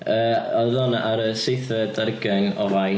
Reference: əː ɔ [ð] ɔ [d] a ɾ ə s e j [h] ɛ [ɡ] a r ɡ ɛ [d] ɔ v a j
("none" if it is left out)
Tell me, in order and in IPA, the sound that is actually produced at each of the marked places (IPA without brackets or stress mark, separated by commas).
ð, n, θ, d, n